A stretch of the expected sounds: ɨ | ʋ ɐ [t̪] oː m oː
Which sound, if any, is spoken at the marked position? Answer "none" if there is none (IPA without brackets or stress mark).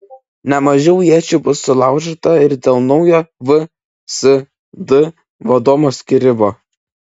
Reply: d̪